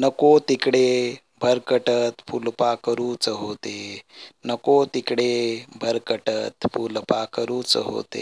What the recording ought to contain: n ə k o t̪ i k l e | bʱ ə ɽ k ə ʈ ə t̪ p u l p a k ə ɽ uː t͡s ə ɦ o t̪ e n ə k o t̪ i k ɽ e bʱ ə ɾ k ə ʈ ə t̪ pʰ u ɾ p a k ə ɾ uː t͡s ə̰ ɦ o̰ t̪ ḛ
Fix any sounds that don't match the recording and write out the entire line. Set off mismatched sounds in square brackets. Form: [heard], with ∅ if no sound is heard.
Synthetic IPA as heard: n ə k o t̪ i k [ɽ] e | bʱ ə [ɾ] k ə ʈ ə t̪ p u l p a k ə [ɾ] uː t͡s ə ɦ o t̪ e n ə k o t̪ i k ɽ e bʱ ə ɾ k ə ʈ ə t̪ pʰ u [l] p a k ə ɾ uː t͡s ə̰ ɦ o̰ t̪ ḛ